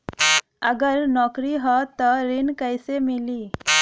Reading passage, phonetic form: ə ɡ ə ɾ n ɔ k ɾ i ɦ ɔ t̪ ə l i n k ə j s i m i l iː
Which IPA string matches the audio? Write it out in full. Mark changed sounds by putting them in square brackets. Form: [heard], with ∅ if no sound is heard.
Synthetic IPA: ə ɡ ə ɾ n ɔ k ɾ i ɦ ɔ t̪ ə [ɾ] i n k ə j s [e] m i l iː